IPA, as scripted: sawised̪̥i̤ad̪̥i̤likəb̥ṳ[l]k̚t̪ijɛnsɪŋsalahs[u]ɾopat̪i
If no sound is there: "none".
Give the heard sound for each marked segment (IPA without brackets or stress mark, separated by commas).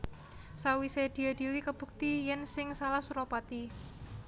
none, u